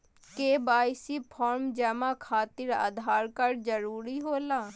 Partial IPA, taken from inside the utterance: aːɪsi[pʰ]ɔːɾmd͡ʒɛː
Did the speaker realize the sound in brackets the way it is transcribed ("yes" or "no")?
yes